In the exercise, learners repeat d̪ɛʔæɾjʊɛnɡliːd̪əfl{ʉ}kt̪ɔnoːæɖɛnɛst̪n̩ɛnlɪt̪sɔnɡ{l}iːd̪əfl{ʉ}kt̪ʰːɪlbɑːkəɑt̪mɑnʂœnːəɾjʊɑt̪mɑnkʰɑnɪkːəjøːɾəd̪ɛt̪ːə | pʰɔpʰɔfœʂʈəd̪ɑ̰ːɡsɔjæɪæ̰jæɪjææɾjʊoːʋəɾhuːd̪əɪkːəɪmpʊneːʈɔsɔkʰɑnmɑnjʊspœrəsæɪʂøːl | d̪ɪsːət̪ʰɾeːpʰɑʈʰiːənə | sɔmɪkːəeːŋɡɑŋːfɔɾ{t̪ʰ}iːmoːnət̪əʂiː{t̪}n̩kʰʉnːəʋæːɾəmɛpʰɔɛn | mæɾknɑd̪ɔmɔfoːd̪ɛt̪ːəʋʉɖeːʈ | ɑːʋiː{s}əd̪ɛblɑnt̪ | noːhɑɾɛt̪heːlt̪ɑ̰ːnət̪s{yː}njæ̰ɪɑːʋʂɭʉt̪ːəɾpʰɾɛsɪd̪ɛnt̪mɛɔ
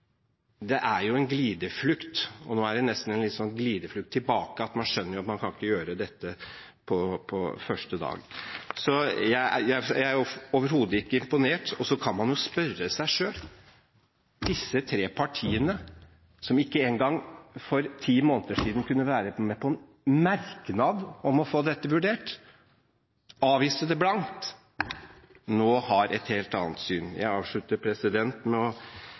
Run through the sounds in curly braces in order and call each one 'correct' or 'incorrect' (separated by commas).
correct, correct, correct, correct, incorrect, correct, correct